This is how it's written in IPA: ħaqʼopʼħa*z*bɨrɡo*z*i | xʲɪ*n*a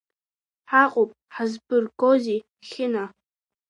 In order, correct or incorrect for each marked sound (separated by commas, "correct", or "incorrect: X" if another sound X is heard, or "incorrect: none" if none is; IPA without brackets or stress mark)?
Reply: correct, correct, correct